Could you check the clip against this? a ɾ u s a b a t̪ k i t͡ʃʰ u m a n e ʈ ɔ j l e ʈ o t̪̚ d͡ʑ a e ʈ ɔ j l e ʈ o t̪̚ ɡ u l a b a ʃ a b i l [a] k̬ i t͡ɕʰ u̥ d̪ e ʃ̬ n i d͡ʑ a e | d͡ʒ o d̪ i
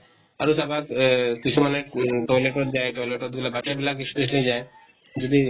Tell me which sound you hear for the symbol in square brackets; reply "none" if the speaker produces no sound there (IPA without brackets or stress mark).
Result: a